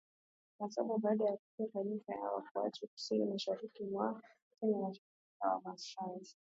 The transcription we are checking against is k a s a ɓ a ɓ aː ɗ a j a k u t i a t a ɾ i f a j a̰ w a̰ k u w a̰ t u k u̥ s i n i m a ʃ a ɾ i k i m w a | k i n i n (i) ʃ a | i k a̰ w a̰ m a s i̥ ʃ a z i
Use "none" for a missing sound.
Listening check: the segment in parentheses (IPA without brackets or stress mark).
a